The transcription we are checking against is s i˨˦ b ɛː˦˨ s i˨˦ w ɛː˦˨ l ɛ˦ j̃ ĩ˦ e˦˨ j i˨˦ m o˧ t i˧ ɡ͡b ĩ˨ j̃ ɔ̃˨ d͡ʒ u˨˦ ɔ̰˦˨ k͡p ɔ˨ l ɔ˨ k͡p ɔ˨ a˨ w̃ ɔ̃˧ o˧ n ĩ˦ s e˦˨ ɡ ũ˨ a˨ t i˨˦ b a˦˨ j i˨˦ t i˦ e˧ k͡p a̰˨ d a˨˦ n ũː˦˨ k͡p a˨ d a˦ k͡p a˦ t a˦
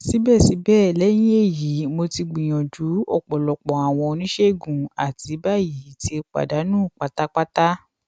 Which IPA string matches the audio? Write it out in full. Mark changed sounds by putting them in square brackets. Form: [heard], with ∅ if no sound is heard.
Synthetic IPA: s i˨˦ b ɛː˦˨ s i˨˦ [b] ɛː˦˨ l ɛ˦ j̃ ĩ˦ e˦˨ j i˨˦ m o˧ t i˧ ɡ͡b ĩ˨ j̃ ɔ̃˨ d͡ʒ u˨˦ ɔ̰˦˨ k͡p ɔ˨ l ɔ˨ k͡p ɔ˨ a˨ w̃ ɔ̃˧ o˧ n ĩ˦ [ʃ] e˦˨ ɡ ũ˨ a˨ t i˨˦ b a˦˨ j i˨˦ t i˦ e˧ k͡p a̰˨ d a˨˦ n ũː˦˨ k͡p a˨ [t] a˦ k͡p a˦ t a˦